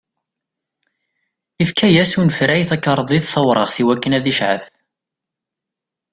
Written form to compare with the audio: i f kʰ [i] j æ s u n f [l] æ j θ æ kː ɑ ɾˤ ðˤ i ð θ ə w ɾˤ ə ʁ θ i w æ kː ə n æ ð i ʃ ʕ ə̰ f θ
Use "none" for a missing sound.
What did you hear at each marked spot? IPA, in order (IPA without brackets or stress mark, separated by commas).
æ, ɾ